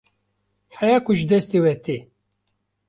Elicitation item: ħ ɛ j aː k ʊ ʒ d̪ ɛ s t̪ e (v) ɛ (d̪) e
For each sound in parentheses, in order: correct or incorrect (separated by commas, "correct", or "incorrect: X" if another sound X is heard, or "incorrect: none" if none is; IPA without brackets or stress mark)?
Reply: incorrect: w, incorrect: t̪